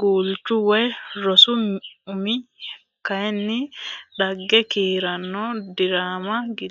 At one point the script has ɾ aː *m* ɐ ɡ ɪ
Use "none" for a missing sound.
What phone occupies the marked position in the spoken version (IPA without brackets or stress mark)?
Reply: m